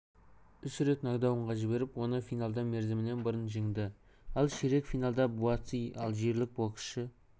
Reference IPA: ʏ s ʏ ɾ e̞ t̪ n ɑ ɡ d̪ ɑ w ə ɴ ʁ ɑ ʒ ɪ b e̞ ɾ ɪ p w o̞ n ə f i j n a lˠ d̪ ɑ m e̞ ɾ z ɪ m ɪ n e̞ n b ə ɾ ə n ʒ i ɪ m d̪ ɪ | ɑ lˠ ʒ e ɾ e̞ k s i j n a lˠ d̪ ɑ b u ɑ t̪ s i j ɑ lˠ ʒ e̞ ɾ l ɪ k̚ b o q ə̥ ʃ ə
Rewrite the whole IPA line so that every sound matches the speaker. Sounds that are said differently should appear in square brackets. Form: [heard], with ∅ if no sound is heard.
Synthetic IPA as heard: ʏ s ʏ ɾ e̞ t̪ n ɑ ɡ d̪ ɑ w ə ɴ ʁ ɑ ʒ ɪ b e̞ ɾ ɪ p w o̞ n ə f i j n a lˠ d̪ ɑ m e̞ ɾ z ɪ m ɪ n e̞ n b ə ɾ ə n ʒ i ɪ [ŋ] d̪ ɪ | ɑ lˠ [ʃ] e ɾ e̞ k [f] i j n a lˠ d̪ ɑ b u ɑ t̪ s i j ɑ lˠ ʒ e̞ ɾ l ɪ k̚ b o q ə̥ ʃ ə

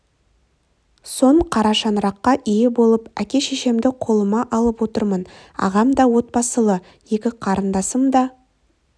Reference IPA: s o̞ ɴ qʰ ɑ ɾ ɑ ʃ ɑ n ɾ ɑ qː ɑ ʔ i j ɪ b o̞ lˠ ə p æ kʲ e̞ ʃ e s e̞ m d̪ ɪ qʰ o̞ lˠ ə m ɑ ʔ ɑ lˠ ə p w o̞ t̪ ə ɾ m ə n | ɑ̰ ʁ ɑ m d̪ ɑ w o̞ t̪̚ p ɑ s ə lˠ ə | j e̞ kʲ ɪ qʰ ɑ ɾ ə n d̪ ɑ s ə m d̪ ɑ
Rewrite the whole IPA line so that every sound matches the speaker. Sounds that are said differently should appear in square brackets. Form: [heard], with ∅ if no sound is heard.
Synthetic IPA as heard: s o̞ ɴ qʰ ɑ ɾ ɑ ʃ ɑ n ɾ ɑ qː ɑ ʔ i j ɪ b o̞ lˠ ə p æ kʲ e̞ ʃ e [ʃ] e̞ m d̪ ɪ qʰ o̞ lˠ ə m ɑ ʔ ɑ lˠ ə p w o̞ t̪ ə ɾ m ə n | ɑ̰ ʁ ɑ m d̪ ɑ w o̞ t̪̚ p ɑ s ə lˠ ə | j e̞ kʲ ɪ qʰ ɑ ɾ ə n d̪ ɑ s ə m d̪ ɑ

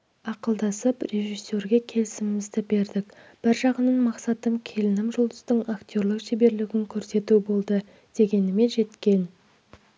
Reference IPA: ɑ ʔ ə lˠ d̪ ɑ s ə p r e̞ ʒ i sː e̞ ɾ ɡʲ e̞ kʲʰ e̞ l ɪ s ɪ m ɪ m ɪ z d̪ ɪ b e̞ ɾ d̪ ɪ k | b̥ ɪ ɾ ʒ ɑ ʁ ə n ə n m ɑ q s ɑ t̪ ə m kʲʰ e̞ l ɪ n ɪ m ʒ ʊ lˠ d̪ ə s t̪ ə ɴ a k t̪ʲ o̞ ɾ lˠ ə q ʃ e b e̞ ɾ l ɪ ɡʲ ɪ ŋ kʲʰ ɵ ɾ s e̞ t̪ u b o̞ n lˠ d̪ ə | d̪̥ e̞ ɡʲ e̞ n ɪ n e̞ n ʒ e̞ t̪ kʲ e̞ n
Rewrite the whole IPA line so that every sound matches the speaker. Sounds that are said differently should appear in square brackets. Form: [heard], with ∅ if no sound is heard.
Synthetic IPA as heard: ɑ [q] ə lˠ d̪ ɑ s ə p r e̞ ʒ i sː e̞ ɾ ɡʲ e̞ kʲʰ e̞ l ɪ s ɪ m ɪ m ɪ z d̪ ɪ b e̞ ɾ d̪ ɪ k | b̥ ɪ ɾ ʒ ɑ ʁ ə n ə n m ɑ q s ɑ t̪ ə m kʲʰ e̞ l ɪ n ɪ m ʒ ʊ lˠ d̪ ə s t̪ ə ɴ a k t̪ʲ o̞ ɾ lˠ ə q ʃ e b e̞ ɾ l ɪ ɡʲ ɪ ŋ kʲʰ ɵ ɾ s e̞ t̪ u b o̞ [∅] lˠ d̪ ə | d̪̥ e̞ ɡʲ e̞ n ɪ [m] e̞ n ʒ e̞ t̪ kʲ e̞ n

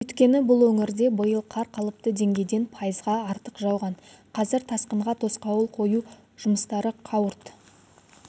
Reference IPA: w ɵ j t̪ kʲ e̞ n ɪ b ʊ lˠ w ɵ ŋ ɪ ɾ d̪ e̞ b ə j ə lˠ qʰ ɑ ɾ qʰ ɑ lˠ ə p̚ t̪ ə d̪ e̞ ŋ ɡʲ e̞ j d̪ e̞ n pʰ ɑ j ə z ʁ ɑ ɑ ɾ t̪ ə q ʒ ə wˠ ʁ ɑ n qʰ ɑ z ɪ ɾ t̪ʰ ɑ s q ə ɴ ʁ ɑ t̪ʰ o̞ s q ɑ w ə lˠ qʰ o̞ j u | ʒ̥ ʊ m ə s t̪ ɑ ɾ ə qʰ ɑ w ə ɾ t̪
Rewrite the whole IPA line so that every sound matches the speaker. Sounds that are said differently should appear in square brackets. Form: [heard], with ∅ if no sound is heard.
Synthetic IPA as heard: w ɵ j t̪ kʲ e̞ n ɪ b ʊ lˠ w ɵ ŋ ɪ ɾ d̪ e̞ b ə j ə lˠ qʰ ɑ ɾ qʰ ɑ lˠ ə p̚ t̪ ə d̪ e̞ ŋ ɡʲ e̞ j d̪ e̞ n pʰ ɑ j ə z ʁ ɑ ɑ ɾ t̪ ə q ʒ [ɑ] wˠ ʁ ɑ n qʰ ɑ z ɪ ɾ t̪ʰ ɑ s q ə ɴ ʁ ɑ t̪ʰ o̞ s q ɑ w ə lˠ qʰ o̞ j u | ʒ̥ ʊ m ə s t̪ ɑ ɾ ə qʰ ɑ w ə ɾ t̪

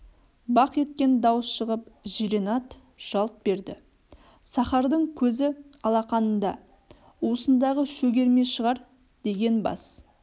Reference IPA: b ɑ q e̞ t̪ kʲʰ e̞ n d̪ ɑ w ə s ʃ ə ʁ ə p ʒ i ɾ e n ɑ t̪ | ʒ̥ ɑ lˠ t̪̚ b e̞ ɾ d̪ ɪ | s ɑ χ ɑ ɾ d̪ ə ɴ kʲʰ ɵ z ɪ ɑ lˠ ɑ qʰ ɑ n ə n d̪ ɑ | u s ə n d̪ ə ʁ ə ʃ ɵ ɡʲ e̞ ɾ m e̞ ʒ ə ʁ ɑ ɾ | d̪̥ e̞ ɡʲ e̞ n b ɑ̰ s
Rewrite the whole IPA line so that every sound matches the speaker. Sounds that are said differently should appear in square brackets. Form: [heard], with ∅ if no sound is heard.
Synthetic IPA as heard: b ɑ q e̞ t̪ [kʲ] e̞ n d̪ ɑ w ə s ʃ ə ʁ ə p ʒ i ɾ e n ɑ t̪ | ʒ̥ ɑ lˠ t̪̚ b e̞ ɾ d̪ ɪ | s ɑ χ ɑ ɾ d̪ ə ɴ kʲʰ ɵ z ɪ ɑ lˠ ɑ [q] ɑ n ə n d̪ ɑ | u s ə n d̪ [ɑ] ʁ ə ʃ ɵ ɡʲ e̞ ɾ m e̞ [ʃ] ə ʁ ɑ ɾ | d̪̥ e̞ ɡʲ e̞ n b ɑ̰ s

